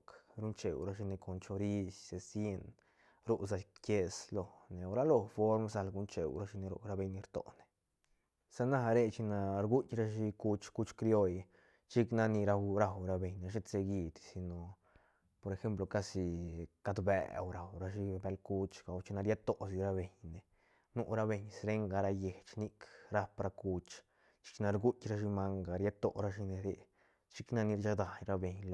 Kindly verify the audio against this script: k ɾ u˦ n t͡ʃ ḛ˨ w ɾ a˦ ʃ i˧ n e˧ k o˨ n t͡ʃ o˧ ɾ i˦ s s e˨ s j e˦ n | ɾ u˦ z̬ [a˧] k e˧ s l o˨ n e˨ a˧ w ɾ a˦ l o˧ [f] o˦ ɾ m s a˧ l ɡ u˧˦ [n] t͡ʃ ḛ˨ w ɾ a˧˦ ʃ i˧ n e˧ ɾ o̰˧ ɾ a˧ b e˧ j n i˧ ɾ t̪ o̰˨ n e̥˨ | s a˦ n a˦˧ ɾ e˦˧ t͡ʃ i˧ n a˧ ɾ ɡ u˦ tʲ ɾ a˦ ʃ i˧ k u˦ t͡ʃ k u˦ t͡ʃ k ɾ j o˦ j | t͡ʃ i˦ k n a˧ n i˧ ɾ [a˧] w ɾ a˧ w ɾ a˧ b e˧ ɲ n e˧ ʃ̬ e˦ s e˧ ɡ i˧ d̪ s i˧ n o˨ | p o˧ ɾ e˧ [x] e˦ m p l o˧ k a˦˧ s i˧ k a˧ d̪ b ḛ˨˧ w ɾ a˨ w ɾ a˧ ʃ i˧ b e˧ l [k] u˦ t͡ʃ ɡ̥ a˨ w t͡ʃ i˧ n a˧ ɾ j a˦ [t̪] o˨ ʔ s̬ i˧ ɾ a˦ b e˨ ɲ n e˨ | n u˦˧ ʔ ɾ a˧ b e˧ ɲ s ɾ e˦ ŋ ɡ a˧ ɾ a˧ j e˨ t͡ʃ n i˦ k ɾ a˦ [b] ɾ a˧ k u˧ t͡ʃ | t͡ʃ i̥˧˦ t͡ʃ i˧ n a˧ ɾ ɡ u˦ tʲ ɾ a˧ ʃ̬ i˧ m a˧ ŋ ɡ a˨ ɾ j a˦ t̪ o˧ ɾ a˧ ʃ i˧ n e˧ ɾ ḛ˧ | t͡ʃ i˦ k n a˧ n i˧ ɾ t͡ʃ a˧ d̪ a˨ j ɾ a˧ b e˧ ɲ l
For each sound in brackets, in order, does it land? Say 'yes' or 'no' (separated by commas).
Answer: yes, yes, yes, yes, yes, yes, yes, no